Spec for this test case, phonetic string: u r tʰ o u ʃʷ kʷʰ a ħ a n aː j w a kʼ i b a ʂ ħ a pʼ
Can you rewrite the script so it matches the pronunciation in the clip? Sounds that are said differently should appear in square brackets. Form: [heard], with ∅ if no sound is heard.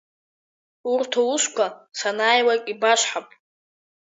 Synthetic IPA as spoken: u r tʰ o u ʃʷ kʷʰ a [s] a n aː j w a kʼ i b a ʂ ħ a pʼ